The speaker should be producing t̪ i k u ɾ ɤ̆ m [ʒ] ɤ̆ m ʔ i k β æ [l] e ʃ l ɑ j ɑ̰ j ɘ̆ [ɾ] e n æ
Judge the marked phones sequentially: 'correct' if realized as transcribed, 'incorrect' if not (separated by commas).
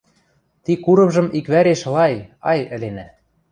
correct, incorrect, incorrect